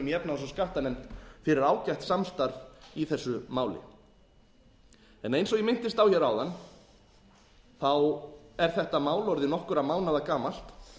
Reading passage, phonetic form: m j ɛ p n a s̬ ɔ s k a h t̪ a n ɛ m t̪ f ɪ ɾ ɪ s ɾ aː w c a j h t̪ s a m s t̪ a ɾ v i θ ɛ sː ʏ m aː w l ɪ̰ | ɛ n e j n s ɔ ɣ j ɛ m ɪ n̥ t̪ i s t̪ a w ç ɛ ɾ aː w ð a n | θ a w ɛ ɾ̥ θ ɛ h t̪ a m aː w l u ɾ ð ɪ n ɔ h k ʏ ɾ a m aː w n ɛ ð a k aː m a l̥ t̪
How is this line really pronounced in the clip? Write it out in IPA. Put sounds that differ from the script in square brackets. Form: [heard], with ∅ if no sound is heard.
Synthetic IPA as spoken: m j ɛ p n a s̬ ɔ s k a h t̪ a n ɛ m t̪ f ɪ ɾ ɪ [∅] ɾ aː w c a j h t̪ s a m s t̪ a ɾ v i θ ɛ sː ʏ m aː w l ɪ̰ | ɛ n e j n s ɔ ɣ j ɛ m ɪ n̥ t̪ [ɪ] s t̪ a w ç ɛ ɾ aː w ð a n | θ a w ɛ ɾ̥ θ ɛ h t̪ a m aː w l [ɔ] ɾ ð ɪ n ɔ h k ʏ ɾ a m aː w n [a] ð a k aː m a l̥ t̪